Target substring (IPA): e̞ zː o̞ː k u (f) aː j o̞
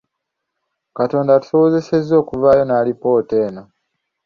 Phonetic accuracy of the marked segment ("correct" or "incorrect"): incorrect